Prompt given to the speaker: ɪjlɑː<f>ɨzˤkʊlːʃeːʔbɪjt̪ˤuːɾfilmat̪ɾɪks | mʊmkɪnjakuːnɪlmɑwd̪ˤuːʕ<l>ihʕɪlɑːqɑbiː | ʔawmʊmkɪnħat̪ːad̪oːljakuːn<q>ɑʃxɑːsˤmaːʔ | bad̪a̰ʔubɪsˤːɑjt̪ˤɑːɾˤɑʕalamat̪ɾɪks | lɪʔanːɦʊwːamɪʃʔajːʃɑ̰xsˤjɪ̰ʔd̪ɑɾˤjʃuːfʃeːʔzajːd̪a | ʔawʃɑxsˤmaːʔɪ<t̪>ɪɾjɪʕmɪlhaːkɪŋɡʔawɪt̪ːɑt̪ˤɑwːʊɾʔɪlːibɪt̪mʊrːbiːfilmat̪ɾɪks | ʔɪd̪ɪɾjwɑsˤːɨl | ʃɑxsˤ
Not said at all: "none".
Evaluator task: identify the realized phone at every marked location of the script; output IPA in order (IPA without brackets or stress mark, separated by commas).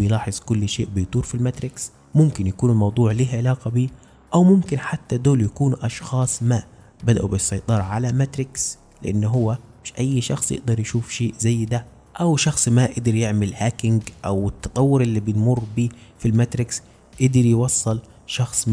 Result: ħ, l, ʔ, d̪